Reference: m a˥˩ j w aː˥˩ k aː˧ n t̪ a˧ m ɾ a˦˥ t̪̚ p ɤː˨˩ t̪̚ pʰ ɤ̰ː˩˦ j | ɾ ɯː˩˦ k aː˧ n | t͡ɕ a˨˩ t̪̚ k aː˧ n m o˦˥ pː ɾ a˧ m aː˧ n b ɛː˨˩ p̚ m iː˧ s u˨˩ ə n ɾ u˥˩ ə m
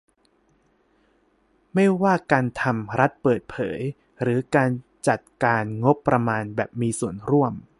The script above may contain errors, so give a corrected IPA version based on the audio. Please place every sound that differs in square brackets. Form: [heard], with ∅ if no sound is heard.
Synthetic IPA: m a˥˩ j w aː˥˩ k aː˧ n [t̪ʰ] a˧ m ɾ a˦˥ t̪̚ p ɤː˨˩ t̪̚ pʰ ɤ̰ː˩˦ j | ɾ ɯː˩˦ k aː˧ n | t͡ɕ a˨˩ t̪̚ k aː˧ n [ŋ] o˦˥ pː ɾ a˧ m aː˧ n b ɛː˨˩ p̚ m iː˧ s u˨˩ ə n ɾ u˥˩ ə m